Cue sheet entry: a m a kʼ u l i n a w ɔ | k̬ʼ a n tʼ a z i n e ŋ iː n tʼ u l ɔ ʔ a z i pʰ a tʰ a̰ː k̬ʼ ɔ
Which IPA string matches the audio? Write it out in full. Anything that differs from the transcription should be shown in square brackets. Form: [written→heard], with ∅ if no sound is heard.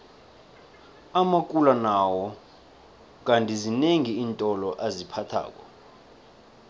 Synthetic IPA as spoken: a m a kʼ u l [i→a] n a w ɔ | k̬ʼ a n tʼ [a→i] z i n e ŋ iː n tʼ [u→ɔ] l ɔ ʔ a z i pʰ a tʰ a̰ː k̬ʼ ɔ